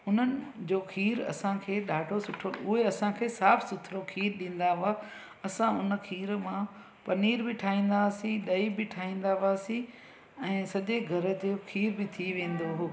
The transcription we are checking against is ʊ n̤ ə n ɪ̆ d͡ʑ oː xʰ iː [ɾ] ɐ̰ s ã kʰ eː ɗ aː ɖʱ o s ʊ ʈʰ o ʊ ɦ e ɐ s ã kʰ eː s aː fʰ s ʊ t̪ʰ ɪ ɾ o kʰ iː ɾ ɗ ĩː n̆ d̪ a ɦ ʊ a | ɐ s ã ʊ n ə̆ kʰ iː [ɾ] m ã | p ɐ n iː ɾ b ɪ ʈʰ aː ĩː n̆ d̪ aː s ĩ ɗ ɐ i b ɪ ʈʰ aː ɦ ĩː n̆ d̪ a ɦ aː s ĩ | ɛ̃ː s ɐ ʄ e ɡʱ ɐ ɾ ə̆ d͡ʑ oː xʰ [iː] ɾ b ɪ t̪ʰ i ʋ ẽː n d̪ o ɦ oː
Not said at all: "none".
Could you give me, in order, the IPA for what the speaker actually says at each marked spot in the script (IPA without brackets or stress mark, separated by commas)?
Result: ɾ, ɾ, iː